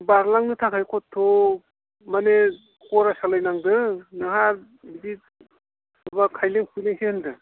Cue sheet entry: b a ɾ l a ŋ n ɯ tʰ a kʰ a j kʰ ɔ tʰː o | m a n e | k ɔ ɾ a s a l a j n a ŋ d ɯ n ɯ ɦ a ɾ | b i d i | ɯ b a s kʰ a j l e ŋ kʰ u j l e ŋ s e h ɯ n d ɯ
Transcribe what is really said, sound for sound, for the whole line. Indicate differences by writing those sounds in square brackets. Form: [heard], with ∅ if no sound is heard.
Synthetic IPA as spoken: b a ɾ l a ŋ n ɯ tʰ a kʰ a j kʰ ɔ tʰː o | m a n e | k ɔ ɾ a s a l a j n a ŋ d ɯ n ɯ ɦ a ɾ | b i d i | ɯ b a [∅] kʰ a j l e ŋ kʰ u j l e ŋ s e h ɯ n d ɯ